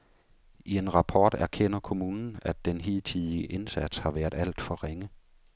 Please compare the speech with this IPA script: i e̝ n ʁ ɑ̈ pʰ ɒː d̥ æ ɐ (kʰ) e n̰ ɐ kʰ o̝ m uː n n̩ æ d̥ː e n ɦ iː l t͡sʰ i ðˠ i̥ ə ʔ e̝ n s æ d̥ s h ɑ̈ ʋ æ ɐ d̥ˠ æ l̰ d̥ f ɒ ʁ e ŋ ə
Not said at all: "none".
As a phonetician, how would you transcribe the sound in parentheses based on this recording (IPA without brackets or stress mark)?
kʰ